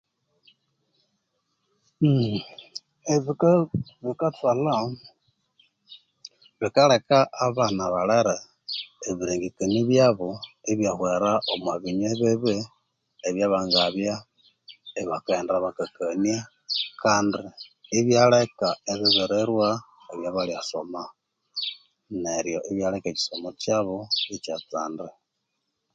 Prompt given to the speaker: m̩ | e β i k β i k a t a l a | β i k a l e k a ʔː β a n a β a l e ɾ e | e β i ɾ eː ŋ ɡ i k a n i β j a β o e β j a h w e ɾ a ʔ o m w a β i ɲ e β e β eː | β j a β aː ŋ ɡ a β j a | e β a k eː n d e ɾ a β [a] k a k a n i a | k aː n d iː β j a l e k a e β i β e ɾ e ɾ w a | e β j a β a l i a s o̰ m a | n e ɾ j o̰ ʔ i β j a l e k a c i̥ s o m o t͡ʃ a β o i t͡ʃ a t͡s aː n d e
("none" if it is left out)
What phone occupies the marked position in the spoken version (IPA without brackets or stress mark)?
a